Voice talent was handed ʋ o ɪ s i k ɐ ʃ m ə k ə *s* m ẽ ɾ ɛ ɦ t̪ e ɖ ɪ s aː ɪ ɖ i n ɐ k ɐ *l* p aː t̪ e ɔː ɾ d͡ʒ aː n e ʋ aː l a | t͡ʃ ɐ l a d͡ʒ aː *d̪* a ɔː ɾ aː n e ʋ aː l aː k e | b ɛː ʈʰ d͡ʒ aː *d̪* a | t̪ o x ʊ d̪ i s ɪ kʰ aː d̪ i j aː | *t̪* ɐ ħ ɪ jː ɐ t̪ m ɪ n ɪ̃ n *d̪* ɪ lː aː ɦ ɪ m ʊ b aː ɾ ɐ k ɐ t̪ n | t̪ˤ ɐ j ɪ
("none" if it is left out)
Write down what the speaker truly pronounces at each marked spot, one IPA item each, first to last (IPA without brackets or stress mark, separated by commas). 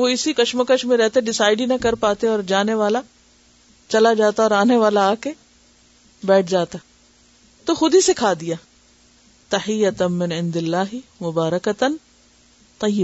ʃ, ɾ, t̪, t̪, t̪, d̪